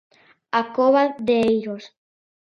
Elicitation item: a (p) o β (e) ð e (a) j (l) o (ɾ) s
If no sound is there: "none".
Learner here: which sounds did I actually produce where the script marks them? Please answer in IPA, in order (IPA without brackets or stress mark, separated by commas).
k, a, e, ɾ, none